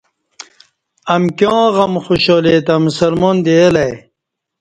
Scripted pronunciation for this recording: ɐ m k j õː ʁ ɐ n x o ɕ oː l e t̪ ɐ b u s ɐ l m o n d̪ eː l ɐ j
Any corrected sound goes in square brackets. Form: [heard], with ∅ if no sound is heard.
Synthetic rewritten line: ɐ m k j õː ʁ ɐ [m] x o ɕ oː l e t̪ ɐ [m] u s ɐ l m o n d̪ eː l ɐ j